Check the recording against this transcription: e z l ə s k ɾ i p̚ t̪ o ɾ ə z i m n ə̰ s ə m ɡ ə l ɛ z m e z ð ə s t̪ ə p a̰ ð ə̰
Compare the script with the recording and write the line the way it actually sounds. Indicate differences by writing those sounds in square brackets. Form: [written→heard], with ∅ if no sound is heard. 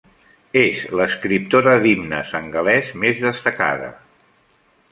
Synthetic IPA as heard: e z l ə s k ɾ i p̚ t̪ o ɾ ə [z→ð] i m n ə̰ s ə [m→ŋ] ɡ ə l ɛ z m e z ð ə s t̪ ə [p→k] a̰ ð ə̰